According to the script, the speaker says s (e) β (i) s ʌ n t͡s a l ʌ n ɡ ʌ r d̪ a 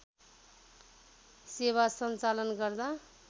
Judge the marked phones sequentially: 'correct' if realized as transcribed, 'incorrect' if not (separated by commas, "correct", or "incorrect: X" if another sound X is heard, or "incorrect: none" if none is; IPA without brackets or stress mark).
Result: correct, incorrect: a